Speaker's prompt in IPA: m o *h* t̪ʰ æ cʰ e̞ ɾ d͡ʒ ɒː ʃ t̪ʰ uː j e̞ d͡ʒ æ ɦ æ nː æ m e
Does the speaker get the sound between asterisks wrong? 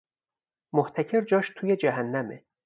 no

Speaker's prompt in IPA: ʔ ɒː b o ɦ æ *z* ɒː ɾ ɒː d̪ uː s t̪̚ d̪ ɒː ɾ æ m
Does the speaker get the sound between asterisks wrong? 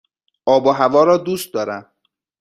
yes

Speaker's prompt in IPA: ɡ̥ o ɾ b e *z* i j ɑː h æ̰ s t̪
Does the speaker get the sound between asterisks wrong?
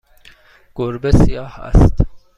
yes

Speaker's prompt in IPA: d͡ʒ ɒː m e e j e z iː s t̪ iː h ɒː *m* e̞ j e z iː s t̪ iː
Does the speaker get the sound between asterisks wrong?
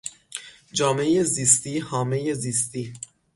no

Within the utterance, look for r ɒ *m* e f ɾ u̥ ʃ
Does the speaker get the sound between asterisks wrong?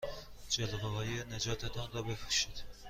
yes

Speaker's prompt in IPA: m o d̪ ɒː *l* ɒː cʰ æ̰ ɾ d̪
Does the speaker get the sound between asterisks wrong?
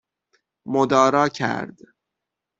yes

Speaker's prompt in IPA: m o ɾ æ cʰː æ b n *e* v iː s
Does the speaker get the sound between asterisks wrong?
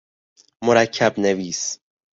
no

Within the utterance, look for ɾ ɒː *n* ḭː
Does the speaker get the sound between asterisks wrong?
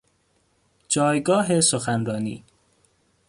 no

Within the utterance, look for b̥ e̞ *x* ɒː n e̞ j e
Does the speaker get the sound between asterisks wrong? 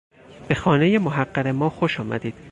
no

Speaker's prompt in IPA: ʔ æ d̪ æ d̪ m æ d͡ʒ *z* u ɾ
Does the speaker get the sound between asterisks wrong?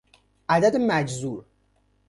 no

